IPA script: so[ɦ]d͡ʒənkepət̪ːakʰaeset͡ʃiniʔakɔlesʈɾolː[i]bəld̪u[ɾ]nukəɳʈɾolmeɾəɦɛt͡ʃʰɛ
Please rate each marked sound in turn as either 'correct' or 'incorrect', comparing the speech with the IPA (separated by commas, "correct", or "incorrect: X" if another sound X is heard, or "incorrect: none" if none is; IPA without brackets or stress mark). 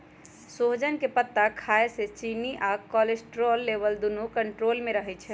correct, incorrect: e, incorrect: none